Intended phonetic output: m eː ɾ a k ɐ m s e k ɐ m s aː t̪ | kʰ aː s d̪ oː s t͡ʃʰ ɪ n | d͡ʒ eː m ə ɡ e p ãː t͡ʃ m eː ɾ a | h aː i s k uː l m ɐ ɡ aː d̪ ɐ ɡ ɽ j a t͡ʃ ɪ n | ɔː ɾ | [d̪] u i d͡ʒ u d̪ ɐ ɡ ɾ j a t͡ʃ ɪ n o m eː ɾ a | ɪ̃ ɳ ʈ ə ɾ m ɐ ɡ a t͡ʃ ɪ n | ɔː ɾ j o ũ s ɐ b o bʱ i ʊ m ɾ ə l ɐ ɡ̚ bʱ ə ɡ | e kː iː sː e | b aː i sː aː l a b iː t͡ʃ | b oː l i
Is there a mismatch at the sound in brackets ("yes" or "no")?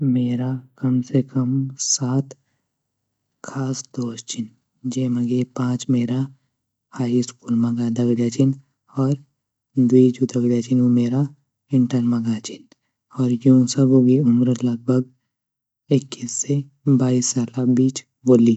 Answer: no